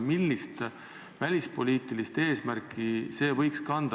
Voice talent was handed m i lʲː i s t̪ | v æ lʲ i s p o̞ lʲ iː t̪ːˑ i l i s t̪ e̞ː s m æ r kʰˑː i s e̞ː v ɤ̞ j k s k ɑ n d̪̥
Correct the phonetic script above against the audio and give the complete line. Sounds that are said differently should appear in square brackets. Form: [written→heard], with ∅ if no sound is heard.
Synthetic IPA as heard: m i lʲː i s t̪ | v æ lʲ i s p o̞ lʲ iː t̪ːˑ i l i s t̪ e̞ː s m æ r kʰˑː i s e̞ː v ɤ̞ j k s k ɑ n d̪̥